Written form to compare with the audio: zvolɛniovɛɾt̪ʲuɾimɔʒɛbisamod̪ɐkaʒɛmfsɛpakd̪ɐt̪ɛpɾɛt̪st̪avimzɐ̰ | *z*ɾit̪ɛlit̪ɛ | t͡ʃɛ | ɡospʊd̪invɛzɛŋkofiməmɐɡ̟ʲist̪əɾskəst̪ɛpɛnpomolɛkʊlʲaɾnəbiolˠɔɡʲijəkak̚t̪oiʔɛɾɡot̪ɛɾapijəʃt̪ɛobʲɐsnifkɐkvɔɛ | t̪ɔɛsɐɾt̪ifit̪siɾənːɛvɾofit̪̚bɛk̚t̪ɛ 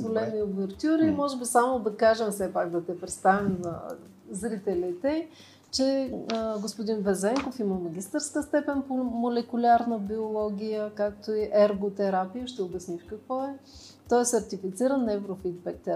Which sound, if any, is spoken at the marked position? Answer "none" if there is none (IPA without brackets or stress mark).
z